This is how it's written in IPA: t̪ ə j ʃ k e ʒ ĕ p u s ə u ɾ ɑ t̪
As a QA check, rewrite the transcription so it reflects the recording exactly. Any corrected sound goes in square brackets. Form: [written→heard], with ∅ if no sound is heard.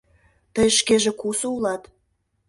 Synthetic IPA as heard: t̪ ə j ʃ k e ʒ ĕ [p→k] u s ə u [ɾ→l] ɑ t̪